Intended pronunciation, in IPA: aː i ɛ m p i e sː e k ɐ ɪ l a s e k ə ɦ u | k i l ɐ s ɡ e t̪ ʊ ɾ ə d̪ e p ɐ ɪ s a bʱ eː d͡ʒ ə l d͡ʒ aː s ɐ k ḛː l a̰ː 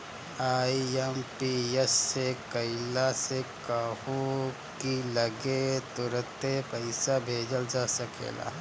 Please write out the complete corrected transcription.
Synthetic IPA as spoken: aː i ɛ m p i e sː e k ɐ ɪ l a s e k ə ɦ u | k i l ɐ ɡ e t̪ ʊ ɾ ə t̪ e p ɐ ɪ s a bʱ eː d͡ʒ ə l d͡ʒ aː s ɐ k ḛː l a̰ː